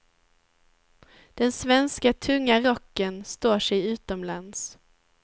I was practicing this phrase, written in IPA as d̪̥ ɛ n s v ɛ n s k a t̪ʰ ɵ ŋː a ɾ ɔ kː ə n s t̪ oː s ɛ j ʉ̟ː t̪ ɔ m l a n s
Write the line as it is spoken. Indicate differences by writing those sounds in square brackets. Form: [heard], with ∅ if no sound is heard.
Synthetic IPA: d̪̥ ɛ n s v ɛ n s k a t̪ʰ ɵ ŋː a ɾ ɔ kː ə n s t̪ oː [ʂ] ɛ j ʉ̟ː t̪ ɔ m l a n s